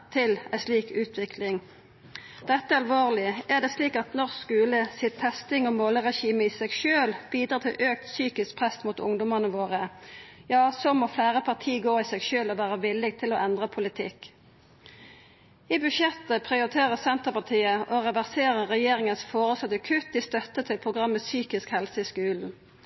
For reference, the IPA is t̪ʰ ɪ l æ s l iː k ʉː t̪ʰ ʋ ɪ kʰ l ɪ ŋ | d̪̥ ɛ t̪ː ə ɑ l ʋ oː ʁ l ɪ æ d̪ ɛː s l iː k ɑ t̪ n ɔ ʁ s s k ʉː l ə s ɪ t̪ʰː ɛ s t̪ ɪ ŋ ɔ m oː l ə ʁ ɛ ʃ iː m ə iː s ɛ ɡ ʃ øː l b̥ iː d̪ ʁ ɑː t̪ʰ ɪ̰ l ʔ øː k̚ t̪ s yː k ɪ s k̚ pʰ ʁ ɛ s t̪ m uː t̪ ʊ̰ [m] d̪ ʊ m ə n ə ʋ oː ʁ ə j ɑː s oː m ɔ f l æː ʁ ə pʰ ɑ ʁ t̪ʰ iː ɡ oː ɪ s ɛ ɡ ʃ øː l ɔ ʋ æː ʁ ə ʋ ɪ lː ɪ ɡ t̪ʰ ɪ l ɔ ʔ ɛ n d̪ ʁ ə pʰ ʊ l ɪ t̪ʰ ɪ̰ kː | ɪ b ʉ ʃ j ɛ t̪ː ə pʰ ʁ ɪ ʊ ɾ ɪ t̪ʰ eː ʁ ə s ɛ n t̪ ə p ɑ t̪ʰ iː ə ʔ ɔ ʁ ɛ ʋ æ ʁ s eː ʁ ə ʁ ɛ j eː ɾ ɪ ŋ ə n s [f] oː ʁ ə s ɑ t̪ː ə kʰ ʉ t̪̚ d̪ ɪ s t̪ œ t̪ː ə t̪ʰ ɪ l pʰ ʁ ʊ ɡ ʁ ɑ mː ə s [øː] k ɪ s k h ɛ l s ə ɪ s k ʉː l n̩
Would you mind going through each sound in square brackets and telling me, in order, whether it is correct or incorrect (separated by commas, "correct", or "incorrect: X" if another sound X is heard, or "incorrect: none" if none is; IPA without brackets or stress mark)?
incorrect: ŋ, correct, incorrect: yː